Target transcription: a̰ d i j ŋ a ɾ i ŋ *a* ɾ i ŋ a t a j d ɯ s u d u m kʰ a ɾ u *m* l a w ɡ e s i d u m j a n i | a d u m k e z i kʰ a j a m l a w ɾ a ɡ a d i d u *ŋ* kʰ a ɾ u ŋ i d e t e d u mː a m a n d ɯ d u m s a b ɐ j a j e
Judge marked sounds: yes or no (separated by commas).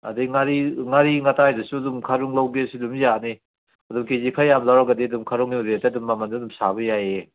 yes, no, no